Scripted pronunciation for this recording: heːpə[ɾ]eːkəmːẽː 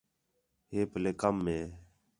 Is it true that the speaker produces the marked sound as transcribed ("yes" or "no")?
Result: no